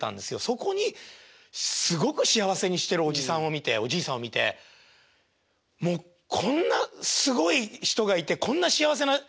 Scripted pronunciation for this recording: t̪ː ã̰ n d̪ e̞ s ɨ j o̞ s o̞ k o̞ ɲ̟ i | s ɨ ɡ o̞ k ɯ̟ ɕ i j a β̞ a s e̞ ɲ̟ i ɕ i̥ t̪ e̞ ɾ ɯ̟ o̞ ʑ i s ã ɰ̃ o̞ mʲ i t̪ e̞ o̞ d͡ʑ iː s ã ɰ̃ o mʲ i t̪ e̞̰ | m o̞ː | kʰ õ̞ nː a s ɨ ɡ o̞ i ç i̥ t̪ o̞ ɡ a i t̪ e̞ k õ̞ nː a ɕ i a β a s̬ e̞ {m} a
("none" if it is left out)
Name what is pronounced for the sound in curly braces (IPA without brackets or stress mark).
n